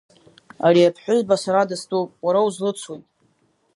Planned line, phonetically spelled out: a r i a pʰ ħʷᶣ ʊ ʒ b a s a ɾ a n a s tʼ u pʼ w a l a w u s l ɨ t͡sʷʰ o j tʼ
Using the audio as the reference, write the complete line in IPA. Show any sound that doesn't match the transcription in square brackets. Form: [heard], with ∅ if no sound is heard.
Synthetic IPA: a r i a pʰ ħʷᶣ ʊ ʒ b a s a ɾ a [d] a s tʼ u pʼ w a [ɾ] a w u [z] l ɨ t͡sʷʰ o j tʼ